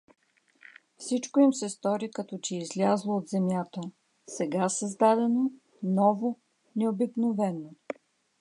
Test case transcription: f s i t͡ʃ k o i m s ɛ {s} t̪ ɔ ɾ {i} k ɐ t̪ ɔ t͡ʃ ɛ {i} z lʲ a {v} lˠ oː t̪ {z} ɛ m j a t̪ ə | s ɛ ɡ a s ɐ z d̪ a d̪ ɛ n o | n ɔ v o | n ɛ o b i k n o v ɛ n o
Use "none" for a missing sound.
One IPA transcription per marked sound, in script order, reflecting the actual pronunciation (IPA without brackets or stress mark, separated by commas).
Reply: s, i, i, z, z